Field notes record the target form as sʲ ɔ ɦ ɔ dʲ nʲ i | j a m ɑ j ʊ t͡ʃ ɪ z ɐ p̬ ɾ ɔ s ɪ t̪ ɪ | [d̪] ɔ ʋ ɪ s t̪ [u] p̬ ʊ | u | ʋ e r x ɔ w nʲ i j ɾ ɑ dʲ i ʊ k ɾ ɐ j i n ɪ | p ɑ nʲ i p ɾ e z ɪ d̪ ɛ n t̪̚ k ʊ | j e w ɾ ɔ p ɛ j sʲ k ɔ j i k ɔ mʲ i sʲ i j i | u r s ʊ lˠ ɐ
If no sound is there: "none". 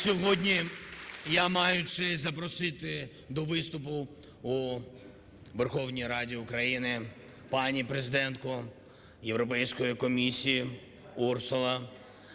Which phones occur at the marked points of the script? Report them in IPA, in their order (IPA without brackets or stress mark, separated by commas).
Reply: d̪, ʊ